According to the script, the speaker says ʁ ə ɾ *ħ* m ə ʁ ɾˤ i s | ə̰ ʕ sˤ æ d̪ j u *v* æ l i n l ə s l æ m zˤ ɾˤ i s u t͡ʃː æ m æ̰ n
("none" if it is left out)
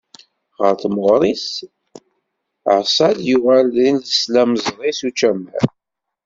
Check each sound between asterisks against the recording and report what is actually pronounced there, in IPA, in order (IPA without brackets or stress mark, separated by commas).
θ, ʁ